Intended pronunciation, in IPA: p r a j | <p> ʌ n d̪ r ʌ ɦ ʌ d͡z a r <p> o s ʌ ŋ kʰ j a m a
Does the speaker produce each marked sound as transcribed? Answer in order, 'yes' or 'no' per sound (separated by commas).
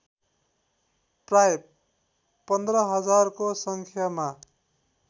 yes, no